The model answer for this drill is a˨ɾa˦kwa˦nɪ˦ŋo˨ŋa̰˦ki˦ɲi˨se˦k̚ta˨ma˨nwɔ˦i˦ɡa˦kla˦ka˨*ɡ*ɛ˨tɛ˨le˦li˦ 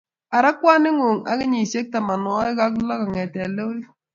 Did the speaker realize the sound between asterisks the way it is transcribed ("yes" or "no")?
no